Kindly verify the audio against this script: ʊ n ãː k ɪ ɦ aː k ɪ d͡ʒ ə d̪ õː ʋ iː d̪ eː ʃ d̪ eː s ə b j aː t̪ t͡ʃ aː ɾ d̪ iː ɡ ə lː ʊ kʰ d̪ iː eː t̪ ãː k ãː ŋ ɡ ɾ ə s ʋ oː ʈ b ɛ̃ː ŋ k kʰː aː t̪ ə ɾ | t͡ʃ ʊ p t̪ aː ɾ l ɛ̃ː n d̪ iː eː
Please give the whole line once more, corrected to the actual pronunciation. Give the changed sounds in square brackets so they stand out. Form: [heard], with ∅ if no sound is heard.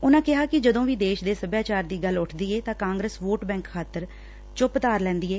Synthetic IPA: ʊ n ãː k ɪ ɦ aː k ɪ d͡ʒ ə d̪ õː ʋ iː d̪ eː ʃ d̪ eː s ə b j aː [∅] t͡ʃ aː ɾ d̪ iː ɡ ə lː ʊ [ʈʰ] d̪ iː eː t̪ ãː k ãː ŋ ɡ ɾ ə s ʋ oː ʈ b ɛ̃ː ŋ k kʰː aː t̪ ə ɾ | t͡ʃ ʊ p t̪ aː ɾ l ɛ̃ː n d̪ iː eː